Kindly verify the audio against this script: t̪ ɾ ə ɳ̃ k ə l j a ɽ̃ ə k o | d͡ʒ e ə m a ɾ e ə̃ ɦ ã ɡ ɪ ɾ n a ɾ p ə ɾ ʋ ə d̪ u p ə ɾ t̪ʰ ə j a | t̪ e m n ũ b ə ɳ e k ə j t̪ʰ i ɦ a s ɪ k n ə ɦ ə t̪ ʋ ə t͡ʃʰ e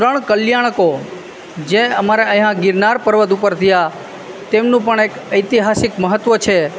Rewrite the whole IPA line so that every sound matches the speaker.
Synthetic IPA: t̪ ɾ ə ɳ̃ k ə l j a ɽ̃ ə k o | d͡ʒ e ə m a ɾ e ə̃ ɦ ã ɡ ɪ ɾ n a ɾ p ə ɾ ʋ ə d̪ u p ə ɾ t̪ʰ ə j a | t̪ e m n ũ p ə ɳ e k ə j t̪ i ɦ a s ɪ k m ə ɦ ə t̪ ʋ ə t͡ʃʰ e

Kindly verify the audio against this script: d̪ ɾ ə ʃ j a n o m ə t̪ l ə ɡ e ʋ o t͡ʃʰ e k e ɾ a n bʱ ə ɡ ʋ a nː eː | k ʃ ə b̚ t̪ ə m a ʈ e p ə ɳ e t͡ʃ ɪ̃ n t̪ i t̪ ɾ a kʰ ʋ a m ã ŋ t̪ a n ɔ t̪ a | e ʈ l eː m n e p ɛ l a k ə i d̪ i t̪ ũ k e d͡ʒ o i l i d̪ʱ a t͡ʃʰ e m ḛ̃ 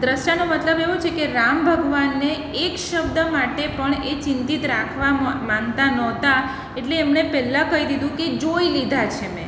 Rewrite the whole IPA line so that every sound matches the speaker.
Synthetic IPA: d̪ ɾ ə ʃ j a n o m ə t̪ l ə b e ʋ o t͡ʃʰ e k e ɾ a m bʱ ə ɡ ʋ a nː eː | k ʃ ə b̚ d̪ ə m a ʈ e p ə ɳ e t͡ʃ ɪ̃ n t̪ i t̪ ɾ a kʰ ʋ a m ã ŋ t̪ a n ɔ t̪ a | e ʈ l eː m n e p ɛ l a k ə i d̪ i d̪ ũ k e d͡ʒ o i l i d̪ʱ a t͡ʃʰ e m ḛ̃

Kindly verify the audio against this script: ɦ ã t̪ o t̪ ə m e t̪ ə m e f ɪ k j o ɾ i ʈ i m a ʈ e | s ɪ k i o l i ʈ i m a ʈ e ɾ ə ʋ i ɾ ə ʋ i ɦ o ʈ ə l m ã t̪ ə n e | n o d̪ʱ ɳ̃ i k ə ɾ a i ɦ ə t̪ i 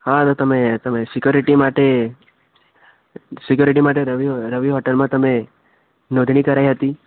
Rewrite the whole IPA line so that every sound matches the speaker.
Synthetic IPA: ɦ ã t̪ o t̪ ə m e t̪ ə m e s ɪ k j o ɾ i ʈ i m a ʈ e | s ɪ k j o ɾ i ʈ i m a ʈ e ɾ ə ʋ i ɾ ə ʋ i ɦ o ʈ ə l m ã t̪ ə m e | n o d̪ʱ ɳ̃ i k ə ɾ a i ɦ ə t̪ i

